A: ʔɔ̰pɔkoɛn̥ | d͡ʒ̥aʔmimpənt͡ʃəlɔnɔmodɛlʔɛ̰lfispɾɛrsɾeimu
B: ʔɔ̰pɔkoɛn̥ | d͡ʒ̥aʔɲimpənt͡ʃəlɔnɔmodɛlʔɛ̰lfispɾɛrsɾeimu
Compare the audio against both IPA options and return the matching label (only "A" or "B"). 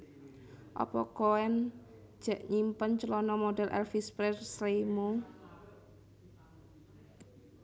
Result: B